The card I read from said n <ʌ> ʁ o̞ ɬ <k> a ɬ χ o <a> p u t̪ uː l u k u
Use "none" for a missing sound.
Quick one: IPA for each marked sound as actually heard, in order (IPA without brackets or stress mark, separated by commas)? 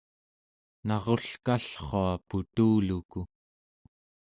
ɑ, k, a